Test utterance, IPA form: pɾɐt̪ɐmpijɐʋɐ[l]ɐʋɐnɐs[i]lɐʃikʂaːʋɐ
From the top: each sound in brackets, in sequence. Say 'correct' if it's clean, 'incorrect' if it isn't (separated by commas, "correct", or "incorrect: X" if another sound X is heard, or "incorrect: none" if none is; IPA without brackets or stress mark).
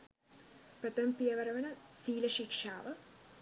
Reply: incorrect: ɾ, incorrect: iː